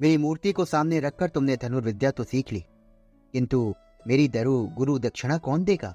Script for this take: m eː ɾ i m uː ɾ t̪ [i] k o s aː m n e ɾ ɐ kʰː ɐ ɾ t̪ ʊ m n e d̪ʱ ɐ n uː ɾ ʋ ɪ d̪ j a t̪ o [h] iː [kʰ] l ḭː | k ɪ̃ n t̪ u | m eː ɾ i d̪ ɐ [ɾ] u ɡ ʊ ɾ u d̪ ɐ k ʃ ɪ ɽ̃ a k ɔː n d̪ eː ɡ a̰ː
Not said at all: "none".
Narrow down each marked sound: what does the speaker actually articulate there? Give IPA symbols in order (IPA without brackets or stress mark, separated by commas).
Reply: i, s, kʰ, ɾ